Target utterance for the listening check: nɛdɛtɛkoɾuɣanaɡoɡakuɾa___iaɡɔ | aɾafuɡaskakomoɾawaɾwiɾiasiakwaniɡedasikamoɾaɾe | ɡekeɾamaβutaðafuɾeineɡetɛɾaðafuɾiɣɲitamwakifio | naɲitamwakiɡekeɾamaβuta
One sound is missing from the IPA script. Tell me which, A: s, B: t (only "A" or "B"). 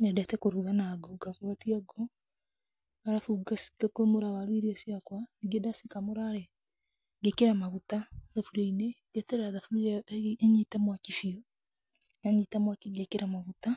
B